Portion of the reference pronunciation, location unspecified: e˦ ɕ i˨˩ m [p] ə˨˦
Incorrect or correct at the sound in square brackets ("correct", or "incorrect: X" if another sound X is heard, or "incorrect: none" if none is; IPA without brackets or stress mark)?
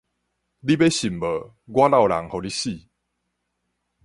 incorrect: b